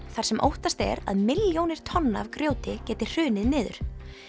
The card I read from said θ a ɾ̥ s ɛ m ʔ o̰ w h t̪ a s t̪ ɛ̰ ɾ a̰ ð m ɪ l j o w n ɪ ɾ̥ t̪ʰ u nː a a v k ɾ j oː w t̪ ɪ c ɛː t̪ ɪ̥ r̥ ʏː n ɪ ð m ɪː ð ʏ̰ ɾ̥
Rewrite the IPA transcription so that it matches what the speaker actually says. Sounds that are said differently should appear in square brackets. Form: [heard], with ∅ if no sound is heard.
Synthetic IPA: θ a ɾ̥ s ɛ m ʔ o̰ w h t̪ a s t̪ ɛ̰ ɾ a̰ ð m ɪ l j o w n ɪ ɾ̥ t̪ʰ [ɔ] nː a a v k ɾ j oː w t̪ ɪ c ɛː t̪ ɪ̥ r̥ ʏː n ɪ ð [n] ɪː ð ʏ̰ ɾ̥